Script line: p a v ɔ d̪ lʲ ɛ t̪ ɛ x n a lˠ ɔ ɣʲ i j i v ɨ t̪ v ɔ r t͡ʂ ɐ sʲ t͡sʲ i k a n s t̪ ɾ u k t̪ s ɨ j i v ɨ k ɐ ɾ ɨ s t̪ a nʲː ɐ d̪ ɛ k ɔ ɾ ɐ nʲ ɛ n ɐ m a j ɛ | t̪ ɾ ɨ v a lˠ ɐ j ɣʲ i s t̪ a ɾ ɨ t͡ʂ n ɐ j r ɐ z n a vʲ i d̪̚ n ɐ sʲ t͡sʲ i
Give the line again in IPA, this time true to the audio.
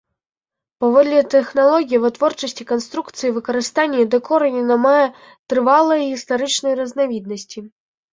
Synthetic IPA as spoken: p a v ɔ d̪ lʲ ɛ t̪ ɛ x n a lˠ ɔ ɣʲ i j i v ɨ t̪ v ɔ r t͡ʂ ɐ sʲ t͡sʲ i k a n s t̪ ɾ u k t̪ s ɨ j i v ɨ k ɐ ɾ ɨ s t̪ a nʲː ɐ d̪ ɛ k ɔ ɾ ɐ nʲ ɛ n ɐ m a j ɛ | t̪ ɾ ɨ v a lˠ ɐ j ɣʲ i s t̪ a ɾ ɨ t͡ʂ n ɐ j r ɐ z n a vʲ i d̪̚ n ɐ sʲ t͡sʲ i